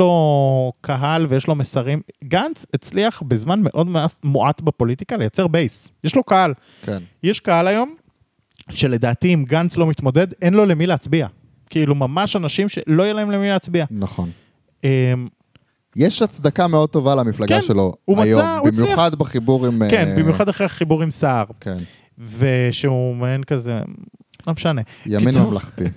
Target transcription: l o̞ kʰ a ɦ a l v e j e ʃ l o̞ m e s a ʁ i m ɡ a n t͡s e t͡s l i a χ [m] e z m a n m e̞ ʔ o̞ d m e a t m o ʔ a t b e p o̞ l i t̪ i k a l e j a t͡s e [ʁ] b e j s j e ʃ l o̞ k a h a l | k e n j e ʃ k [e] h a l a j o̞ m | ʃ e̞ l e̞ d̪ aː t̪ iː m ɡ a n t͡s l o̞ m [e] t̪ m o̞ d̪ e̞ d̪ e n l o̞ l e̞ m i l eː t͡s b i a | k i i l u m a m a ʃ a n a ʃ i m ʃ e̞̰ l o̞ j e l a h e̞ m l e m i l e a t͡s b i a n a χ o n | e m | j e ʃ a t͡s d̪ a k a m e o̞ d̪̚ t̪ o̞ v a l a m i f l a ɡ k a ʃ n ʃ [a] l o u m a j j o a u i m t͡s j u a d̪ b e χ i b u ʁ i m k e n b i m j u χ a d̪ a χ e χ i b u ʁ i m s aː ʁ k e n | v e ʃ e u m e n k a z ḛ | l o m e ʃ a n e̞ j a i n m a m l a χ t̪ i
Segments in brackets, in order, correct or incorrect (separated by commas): incorrect, correct, incorrect, incorrect, incorrect